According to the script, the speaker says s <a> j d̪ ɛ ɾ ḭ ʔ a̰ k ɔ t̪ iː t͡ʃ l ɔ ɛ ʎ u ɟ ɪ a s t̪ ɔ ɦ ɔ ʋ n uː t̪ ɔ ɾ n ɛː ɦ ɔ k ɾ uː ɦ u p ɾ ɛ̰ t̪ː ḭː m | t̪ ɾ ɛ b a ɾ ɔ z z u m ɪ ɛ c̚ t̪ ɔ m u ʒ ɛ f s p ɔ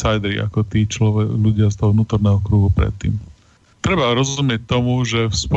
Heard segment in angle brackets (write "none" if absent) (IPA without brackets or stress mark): a